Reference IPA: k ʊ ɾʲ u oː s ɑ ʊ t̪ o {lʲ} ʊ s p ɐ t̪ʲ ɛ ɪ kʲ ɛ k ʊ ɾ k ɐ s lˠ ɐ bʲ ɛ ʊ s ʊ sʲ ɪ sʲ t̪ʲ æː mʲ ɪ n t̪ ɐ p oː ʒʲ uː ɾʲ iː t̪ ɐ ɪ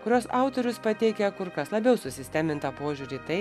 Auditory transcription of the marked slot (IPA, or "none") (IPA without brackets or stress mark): ɾʲ